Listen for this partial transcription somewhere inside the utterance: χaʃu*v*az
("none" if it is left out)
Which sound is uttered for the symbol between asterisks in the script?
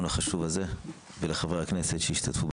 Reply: v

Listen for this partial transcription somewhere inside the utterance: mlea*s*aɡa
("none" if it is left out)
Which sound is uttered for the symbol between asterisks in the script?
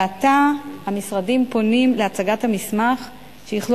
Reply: t͡s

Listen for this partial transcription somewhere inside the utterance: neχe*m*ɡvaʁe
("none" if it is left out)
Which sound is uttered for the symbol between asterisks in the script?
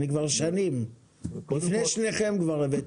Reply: m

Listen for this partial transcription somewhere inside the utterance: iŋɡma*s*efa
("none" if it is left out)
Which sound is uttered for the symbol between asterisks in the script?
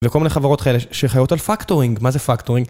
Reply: z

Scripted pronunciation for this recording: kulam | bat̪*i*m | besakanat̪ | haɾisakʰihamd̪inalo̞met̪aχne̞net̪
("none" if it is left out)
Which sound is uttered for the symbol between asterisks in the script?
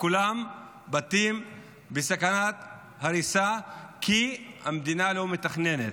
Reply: i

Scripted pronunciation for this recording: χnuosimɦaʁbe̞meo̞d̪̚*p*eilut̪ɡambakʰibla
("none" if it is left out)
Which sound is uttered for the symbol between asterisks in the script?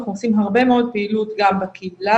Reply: p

